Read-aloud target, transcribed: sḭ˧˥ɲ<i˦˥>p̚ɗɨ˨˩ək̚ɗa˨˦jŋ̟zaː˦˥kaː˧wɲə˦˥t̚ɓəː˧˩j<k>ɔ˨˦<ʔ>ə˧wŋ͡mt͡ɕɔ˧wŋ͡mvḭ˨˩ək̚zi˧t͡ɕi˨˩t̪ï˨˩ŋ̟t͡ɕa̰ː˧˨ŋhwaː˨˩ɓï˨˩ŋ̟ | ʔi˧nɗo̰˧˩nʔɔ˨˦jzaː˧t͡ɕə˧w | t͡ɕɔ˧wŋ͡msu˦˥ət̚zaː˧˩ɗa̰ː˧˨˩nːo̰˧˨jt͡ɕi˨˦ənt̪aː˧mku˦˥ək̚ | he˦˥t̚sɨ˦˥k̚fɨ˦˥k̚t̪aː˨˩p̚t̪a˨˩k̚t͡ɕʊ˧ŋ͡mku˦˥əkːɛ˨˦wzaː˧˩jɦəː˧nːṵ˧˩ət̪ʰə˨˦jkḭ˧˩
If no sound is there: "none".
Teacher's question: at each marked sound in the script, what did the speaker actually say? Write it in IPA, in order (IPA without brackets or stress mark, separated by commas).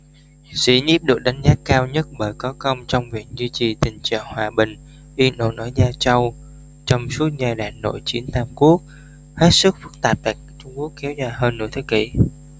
i˦˥, k, k